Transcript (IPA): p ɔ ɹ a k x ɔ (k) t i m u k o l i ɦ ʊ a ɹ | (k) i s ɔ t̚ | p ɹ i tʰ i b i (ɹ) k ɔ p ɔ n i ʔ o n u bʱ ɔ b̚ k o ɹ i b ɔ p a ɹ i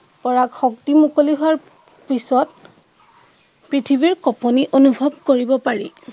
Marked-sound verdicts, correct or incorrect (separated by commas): correct, incorrect, correct